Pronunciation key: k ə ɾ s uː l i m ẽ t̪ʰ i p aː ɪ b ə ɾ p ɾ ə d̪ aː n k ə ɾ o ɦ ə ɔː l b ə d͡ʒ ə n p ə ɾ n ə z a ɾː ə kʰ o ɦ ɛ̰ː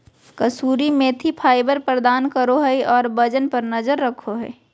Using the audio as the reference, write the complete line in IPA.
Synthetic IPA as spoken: k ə s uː ɾ i m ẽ t̪ʰ i pʰ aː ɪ b ə ɾ p ɾ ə d̪ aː n k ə ɾ o ɦ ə ɔː ɾ b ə d͡ʒ ə n p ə ɾ n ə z ə ɾː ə kʰ o ɦ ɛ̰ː